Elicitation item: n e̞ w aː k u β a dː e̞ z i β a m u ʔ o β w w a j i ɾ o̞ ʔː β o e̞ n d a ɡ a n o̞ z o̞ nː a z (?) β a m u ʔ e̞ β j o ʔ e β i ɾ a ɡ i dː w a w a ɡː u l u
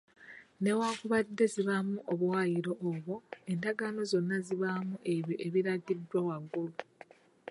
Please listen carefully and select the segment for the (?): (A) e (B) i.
B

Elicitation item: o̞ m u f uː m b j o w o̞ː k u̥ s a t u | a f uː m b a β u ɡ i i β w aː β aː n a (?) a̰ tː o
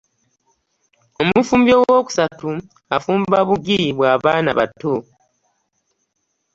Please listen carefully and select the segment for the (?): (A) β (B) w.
A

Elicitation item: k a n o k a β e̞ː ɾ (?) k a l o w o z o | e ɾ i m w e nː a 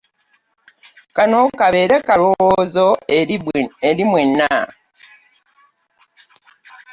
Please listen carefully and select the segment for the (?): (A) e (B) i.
A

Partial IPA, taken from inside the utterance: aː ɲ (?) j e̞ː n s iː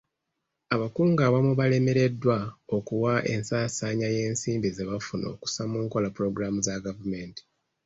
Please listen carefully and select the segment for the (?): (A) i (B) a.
B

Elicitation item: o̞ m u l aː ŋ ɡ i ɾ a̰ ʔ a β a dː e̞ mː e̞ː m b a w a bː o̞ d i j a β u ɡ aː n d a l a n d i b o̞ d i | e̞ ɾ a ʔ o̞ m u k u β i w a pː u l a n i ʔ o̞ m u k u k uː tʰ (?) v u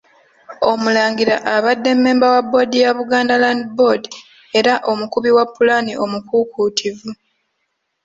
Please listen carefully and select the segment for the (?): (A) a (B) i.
B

